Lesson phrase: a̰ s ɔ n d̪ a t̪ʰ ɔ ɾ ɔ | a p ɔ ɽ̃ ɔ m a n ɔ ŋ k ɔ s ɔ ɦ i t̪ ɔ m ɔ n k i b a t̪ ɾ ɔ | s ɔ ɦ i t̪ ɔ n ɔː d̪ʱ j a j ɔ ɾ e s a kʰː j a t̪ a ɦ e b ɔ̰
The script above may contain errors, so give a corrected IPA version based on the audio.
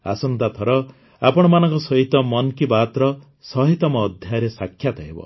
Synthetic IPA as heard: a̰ s ɔ n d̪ a t̪ʰ ɔ ɾ ɔ | a p ɔ ɽ̃ ɔ m a n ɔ ŋ k ɔ s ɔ ɦ i t̪ ɔ m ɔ n k i b a t̪ ɾ ɔ | s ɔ ɦ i t̪ ɔ m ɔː d̪ʱ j a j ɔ ɾ e s a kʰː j a t̪ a ɦ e b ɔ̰